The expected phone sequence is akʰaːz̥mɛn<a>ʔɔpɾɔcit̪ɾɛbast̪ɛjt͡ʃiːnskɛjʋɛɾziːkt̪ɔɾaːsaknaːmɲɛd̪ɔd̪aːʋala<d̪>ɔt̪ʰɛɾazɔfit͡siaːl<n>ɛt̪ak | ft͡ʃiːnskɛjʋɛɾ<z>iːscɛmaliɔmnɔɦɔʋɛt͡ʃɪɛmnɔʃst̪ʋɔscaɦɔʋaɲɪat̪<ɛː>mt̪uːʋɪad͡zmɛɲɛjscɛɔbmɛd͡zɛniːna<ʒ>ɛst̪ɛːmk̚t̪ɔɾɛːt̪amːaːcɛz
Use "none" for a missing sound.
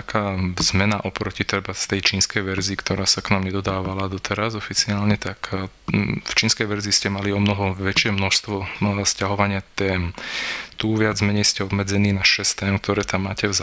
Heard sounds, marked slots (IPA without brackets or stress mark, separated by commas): a, d̪, ɲ, z, ɛː, ʃ